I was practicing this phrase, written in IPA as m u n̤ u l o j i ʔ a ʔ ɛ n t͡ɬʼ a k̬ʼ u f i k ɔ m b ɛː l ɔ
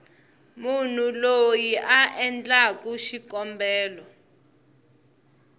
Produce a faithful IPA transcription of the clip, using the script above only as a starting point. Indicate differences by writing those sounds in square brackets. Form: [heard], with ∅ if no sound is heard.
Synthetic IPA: m u n̤ u l o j i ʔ a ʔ ɛ n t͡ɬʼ a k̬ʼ u [ʃ] i k ɔ m b ɛː l ɔ

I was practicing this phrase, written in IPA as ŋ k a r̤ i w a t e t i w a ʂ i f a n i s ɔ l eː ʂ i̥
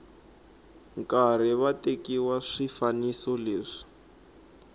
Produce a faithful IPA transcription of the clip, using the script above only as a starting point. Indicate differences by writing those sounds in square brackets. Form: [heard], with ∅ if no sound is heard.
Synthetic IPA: ŋ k a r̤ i [β] a t e [k] i w a ʂ i f a n i s ɔ l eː ʂ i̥

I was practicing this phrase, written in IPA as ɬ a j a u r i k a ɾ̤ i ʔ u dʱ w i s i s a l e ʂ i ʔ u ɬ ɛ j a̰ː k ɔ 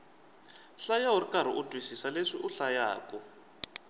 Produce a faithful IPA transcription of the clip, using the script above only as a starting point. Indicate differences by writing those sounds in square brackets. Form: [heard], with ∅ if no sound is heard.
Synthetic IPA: ɬ a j a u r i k a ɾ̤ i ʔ u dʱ w i s i s a l e ʂ i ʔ u ɬ [a] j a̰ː k ɔ

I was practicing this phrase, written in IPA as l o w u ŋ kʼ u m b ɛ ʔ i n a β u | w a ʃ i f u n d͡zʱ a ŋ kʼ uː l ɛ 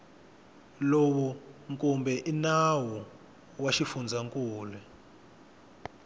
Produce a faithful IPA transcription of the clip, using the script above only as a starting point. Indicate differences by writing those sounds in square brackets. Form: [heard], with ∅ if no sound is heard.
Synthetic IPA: l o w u ŋ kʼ u m b ɛ ʔ i n a [w] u | w a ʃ i f u n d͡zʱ a ŋ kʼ uː l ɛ

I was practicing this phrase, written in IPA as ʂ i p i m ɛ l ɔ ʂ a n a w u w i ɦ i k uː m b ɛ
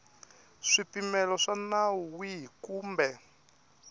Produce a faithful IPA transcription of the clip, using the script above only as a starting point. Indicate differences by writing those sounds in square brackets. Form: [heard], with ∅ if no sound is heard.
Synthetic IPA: ʂ i p i m ɛ l ɔ ʂ a n a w u w i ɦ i k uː m b ɛ

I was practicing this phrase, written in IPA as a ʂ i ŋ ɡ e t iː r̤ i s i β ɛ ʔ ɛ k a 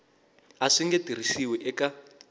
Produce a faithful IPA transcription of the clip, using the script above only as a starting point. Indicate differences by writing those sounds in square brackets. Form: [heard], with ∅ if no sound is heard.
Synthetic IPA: a ʂ i ŋ ɡ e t [i] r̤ i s i [w] ɛ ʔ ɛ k a

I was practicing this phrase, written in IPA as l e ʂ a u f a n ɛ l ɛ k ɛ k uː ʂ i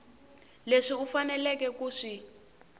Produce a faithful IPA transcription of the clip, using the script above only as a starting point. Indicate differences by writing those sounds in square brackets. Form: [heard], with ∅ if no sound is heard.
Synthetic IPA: l e ʂ [i] u f a n ɛ l ɛ k ɛ k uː ʂ i

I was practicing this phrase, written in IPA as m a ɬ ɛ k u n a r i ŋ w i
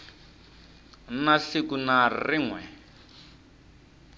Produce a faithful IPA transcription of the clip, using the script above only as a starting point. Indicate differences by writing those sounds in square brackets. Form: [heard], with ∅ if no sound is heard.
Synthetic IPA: [n] a ɬ [i] k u n a r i ŋ w [ɛ]

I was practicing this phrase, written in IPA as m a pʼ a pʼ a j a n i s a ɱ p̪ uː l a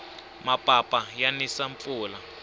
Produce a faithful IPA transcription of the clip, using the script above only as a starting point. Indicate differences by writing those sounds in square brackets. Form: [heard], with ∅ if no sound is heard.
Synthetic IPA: m a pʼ a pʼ a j a n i s a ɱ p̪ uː l a

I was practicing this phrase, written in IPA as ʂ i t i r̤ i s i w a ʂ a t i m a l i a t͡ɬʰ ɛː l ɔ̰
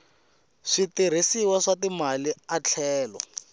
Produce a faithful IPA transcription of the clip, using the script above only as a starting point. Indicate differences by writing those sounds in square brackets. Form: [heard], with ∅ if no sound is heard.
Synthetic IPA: ʂ i t i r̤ i s i w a ʂ a t i m a l i a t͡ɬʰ ɛː l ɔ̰

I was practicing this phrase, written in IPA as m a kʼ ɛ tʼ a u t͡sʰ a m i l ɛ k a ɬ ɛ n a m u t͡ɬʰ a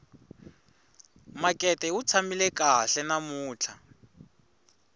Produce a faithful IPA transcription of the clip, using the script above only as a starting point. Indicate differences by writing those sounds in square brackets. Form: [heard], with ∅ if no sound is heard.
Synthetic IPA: m a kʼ ɛ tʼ [ɛ] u t͡sʰ a m i l ɛ k a ɬ ɛ n a m [uː] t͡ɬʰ a

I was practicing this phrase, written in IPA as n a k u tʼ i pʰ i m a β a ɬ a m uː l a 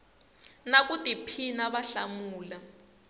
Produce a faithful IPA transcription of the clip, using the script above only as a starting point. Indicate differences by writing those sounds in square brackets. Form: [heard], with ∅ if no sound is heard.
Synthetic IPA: n a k u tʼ i pʰ i [n] a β a ɬ a m uː l a

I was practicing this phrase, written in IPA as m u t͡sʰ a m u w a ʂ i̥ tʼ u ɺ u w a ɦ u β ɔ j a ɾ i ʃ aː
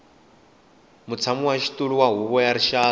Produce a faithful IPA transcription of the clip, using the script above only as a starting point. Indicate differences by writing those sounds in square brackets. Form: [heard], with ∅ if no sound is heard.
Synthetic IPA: m u t͡sʰ a m u w a [ʃ] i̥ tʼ u ɺ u w a ɦ u β ɔ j a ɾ i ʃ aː

